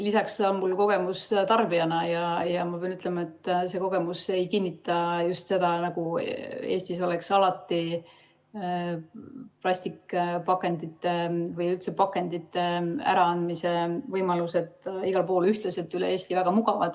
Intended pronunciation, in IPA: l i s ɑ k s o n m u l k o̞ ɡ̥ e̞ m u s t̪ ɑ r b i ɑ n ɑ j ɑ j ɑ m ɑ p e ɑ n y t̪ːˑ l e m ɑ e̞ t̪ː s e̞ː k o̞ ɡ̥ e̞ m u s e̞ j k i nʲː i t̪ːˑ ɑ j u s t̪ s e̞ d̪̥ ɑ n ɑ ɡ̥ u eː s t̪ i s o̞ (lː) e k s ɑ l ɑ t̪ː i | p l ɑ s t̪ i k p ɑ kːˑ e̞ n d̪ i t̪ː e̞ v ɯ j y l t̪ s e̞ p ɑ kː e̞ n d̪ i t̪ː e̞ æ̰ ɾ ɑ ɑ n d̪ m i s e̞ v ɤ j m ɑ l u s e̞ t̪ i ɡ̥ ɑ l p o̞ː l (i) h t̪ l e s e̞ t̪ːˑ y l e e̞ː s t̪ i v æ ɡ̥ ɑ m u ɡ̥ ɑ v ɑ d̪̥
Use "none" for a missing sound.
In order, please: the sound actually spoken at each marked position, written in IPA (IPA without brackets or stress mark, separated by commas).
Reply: l, y